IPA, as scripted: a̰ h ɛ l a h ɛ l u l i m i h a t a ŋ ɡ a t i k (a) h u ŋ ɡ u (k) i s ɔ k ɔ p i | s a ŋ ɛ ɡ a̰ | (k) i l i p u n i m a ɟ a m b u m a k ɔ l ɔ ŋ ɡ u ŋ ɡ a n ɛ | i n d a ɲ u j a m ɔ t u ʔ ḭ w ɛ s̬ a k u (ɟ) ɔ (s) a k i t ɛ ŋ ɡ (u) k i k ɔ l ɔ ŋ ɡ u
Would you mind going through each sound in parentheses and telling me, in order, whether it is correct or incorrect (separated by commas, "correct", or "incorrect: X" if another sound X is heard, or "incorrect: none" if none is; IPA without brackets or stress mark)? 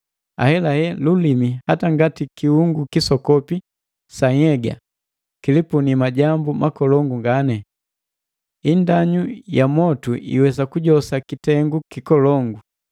incorrect: i, correct, correct, correct, correct, correct